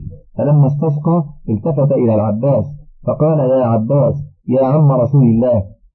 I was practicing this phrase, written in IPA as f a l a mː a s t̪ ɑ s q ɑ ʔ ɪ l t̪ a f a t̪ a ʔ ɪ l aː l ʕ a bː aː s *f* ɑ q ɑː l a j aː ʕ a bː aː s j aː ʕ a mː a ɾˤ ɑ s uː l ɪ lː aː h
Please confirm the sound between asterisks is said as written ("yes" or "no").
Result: yes